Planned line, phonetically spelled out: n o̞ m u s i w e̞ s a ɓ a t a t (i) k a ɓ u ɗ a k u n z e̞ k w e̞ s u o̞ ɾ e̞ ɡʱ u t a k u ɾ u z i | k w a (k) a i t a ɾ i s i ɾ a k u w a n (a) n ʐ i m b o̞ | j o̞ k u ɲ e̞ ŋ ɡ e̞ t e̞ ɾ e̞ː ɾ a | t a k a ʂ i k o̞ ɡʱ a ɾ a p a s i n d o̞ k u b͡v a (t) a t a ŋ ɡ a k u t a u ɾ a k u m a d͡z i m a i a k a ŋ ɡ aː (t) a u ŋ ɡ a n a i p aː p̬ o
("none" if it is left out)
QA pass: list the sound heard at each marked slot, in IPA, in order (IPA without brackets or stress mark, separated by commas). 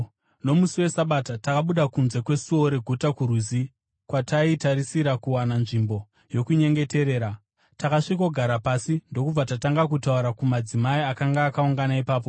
a, t, a, t, k